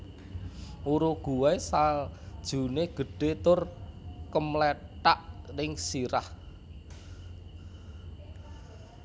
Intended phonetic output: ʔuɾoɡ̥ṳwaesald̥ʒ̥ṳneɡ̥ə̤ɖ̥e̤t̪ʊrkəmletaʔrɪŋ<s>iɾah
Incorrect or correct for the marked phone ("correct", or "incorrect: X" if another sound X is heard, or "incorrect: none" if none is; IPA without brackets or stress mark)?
correct